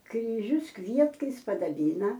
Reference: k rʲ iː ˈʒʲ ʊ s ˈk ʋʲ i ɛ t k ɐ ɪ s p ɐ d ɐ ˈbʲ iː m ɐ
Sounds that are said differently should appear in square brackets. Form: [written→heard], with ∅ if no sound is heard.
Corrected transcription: k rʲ iː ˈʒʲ ʊ s ˈk ʋʲ i ɛ t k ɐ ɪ s p ɐ d ɐ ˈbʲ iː [m→n] ɐ